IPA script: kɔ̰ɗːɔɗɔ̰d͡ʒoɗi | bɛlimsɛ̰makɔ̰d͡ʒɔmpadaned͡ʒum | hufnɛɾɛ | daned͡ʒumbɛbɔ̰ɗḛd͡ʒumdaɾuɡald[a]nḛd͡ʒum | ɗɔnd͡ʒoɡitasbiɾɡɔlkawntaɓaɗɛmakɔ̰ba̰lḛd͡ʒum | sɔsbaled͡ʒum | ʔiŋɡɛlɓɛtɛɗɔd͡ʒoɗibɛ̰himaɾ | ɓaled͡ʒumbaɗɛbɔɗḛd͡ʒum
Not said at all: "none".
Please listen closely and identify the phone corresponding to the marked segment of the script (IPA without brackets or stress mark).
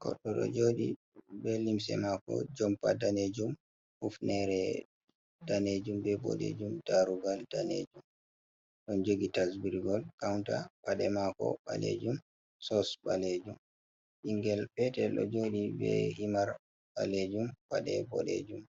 a